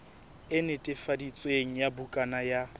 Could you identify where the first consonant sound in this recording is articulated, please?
alveolar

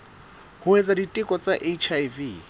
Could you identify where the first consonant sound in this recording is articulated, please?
glottal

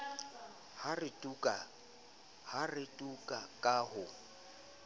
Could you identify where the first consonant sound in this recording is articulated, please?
glottal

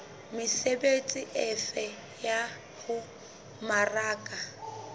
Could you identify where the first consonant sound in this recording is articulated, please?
labial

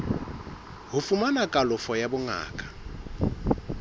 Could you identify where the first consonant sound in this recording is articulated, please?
glottal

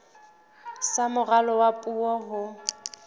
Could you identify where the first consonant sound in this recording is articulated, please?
alveolar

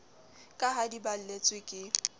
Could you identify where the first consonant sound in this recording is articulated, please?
velar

